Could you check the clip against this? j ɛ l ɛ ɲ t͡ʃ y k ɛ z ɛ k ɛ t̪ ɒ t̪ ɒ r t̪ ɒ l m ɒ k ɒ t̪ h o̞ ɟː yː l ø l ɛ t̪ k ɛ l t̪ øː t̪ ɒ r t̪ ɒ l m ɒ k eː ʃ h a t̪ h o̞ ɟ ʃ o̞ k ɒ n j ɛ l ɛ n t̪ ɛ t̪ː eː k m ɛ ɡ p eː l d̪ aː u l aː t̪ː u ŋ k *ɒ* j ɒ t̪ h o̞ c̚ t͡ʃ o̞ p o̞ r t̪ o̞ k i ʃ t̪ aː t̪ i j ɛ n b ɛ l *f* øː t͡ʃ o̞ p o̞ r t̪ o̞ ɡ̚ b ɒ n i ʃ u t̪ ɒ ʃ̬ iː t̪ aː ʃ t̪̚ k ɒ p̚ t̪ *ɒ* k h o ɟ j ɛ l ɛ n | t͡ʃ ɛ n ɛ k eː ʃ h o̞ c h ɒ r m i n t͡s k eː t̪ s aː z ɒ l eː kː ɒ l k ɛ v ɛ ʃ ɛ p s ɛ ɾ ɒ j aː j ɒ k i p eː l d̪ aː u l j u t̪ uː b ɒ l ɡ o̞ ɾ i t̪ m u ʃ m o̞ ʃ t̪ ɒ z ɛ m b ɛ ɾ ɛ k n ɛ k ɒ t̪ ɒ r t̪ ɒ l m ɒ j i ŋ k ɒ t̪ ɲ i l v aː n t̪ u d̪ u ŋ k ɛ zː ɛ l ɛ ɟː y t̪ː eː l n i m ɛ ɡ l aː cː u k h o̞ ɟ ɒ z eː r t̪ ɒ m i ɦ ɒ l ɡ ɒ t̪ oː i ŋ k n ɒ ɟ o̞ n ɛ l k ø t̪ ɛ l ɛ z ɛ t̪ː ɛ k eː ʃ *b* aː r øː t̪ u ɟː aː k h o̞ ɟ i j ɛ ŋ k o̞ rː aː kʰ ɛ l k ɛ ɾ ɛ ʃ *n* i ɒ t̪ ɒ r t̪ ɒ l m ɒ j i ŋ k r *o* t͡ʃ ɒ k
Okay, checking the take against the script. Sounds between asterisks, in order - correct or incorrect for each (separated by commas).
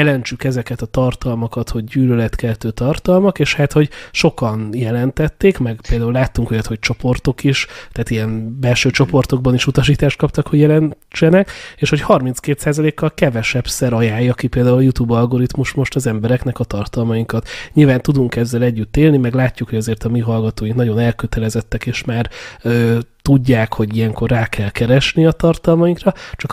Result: incorrect, incorrect, correct, incorrect, correct, incorrect